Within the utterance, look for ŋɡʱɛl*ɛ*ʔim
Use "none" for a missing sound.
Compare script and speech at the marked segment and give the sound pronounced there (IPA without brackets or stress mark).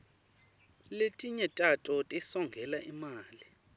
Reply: a